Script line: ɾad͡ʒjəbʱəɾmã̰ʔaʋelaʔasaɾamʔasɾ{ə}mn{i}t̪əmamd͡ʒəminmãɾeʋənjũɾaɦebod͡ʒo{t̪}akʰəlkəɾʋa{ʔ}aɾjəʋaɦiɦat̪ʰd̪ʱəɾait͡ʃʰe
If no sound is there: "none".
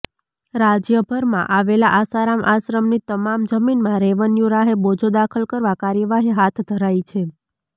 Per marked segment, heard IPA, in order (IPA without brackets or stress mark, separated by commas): ə, i, d̪, k